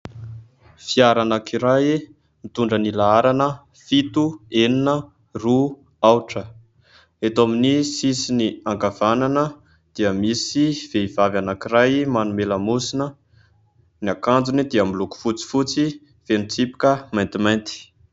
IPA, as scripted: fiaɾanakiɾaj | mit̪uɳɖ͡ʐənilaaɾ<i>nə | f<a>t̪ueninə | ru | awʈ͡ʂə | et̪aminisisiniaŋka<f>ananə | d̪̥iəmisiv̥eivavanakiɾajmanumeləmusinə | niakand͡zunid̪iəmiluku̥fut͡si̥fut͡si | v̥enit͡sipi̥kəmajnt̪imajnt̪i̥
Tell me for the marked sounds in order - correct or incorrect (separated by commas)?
incorrect, incorrect, incorrect